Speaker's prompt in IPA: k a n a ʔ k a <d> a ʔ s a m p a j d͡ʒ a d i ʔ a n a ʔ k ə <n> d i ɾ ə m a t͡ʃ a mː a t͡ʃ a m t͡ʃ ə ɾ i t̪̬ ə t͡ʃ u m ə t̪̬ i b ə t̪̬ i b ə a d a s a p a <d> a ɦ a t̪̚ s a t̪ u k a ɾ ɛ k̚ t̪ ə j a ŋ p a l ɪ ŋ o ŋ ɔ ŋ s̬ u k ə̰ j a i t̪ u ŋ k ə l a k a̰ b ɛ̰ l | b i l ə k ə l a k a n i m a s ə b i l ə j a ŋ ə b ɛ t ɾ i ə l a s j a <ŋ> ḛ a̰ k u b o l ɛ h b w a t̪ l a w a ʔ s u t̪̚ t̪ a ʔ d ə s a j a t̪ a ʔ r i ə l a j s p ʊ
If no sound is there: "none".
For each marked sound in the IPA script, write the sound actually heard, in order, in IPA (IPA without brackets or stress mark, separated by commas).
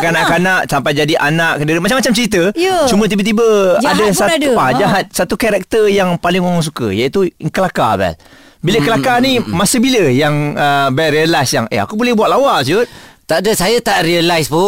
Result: n, n, d͡ʒ, ŋ